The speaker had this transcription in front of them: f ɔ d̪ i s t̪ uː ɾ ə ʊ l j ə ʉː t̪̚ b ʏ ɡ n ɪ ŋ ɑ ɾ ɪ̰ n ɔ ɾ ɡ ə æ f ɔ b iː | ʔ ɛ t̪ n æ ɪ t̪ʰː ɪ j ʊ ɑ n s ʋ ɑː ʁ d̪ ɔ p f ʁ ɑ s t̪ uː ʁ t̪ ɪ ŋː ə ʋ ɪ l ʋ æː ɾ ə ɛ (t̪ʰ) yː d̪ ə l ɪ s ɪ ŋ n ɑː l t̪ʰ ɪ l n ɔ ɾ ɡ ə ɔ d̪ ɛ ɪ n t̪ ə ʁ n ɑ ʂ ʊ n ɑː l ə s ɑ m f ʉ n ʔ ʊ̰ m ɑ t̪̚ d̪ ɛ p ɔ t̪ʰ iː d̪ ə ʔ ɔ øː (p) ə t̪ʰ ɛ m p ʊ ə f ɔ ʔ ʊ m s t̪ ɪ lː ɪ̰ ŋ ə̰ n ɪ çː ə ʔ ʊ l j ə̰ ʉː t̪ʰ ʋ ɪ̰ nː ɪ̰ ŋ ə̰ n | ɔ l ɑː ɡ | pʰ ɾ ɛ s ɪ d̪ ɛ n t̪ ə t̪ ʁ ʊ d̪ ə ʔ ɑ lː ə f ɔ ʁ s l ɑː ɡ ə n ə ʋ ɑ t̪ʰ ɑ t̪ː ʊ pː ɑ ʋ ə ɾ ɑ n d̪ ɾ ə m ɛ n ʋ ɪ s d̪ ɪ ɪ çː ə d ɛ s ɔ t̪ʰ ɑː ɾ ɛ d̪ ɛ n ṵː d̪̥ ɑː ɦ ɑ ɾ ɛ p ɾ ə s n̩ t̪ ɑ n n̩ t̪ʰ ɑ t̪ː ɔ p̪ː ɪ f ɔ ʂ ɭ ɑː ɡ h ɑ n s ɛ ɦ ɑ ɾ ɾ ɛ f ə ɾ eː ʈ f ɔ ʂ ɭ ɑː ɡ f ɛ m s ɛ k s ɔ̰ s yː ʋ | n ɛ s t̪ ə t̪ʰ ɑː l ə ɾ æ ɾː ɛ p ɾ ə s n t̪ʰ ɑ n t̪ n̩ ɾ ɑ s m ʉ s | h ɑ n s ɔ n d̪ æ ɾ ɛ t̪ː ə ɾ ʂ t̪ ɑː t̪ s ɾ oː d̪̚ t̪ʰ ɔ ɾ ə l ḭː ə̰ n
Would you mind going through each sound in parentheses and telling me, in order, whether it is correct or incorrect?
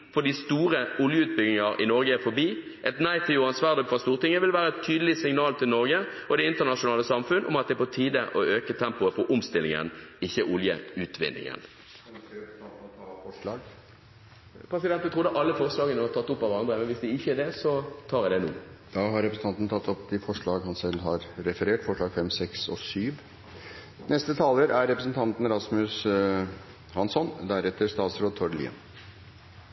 correct, incorrect: k

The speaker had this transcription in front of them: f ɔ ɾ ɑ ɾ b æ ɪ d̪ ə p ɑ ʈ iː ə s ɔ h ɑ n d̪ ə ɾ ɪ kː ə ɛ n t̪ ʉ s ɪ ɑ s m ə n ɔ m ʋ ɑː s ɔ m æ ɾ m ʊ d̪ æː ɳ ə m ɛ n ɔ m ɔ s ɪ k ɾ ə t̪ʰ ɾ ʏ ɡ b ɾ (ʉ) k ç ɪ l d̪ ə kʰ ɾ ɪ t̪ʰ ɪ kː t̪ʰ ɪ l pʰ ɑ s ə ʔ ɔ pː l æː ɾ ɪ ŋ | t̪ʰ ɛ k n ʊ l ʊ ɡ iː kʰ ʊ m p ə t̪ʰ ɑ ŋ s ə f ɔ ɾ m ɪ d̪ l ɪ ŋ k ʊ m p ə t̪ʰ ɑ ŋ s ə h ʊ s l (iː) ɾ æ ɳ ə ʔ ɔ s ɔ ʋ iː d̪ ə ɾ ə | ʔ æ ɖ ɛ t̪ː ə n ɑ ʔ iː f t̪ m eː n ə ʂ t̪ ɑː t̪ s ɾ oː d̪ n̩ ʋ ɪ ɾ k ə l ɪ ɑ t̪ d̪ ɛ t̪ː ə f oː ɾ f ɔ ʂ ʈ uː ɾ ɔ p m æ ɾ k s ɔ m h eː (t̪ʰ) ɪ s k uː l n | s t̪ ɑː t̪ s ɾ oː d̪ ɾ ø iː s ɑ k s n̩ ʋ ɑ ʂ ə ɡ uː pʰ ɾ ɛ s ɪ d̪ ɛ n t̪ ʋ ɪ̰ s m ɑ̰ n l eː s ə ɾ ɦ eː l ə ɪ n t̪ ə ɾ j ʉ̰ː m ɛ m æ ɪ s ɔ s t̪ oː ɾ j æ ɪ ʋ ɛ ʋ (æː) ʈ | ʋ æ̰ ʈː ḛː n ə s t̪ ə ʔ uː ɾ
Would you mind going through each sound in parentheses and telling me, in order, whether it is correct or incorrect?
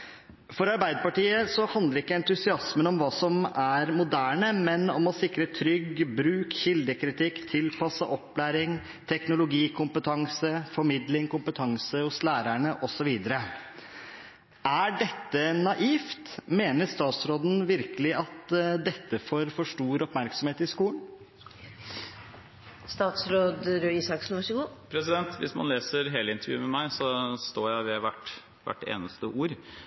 incorrect: ʉː, incorrect: æː, incorrect: t̪, incorrect: æ

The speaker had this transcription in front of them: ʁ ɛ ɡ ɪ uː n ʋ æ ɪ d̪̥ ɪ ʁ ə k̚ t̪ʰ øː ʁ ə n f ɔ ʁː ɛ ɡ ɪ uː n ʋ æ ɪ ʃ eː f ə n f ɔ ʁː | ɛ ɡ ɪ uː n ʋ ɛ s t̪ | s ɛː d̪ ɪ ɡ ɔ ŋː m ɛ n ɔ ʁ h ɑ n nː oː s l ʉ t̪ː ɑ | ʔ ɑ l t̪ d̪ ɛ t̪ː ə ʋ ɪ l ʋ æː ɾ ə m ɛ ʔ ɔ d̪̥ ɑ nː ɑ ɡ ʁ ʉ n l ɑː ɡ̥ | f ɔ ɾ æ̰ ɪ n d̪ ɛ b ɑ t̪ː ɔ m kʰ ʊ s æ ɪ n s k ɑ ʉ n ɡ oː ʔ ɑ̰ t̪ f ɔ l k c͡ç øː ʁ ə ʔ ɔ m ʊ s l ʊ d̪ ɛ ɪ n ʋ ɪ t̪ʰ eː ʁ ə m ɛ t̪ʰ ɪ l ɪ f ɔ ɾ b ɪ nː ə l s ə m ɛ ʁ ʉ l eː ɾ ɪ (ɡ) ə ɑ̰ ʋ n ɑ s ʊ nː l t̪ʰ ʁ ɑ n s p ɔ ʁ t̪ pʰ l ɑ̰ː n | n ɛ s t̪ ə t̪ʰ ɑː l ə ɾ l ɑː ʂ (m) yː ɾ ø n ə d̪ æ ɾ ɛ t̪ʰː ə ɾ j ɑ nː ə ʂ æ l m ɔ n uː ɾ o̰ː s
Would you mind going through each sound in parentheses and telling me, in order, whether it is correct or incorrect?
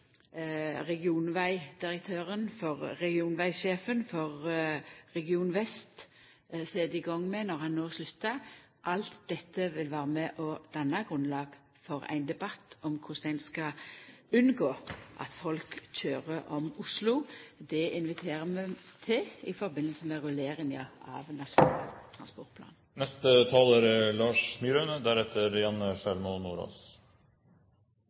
incorrect: ŋ, correct

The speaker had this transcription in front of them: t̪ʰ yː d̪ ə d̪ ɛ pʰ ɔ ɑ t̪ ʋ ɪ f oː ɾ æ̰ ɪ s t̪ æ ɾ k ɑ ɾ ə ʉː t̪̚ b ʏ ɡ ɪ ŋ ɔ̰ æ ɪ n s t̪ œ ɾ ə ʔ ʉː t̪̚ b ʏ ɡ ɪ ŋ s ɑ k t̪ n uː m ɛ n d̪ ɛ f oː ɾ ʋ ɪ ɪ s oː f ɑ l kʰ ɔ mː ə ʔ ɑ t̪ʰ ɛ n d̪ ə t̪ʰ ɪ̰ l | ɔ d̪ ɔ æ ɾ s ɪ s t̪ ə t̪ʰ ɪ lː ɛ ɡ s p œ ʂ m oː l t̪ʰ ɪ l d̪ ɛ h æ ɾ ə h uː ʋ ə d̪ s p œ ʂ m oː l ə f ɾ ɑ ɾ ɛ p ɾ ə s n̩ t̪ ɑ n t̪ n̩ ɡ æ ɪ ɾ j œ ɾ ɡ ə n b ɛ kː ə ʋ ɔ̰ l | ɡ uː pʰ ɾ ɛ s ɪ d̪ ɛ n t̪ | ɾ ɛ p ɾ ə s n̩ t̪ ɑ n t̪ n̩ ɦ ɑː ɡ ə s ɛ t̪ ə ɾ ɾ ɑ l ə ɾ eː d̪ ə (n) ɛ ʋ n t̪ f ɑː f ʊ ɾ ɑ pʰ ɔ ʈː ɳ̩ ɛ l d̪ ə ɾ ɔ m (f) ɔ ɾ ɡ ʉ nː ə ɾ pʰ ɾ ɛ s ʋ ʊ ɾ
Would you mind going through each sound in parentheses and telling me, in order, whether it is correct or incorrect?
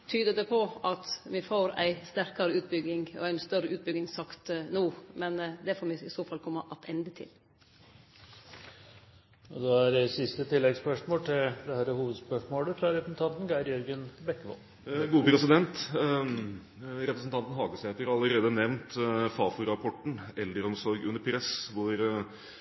correct, incorrect: s

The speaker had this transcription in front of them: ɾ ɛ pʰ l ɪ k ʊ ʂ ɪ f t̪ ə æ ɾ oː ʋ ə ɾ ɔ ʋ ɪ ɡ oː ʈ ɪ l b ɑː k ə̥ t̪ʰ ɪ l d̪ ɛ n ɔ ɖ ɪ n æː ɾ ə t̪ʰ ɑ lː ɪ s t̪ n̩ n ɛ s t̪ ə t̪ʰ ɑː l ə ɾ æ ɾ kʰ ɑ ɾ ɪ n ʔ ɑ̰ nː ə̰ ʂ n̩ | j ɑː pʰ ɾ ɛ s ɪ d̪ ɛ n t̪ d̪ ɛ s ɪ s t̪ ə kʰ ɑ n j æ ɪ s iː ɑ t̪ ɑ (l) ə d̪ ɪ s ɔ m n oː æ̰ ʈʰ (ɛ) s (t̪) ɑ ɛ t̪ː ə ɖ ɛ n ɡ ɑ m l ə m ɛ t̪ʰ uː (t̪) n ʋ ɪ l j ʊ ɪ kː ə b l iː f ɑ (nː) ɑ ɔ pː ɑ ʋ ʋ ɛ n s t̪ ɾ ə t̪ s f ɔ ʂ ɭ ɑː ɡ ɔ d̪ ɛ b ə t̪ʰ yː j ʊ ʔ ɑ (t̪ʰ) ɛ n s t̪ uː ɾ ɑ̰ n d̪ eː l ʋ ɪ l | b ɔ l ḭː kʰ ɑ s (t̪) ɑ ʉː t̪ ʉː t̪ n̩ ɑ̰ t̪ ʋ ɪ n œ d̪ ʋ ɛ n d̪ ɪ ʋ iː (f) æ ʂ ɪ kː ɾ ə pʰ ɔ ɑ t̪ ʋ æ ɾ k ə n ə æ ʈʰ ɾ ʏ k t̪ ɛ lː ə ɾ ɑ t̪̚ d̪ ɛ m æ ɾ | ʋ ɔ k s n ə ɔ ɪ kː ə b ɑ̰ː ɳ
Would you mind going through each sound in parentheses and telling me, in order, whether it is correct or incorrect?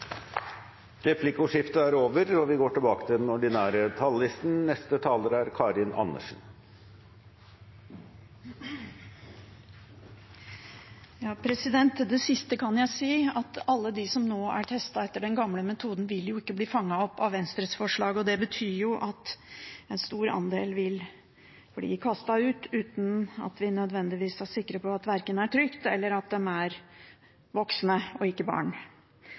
incorrect: lː, correct, correct, incorrect: d̪, incorrect: ŋː, incorrect: t̪, correct, incorrect: s

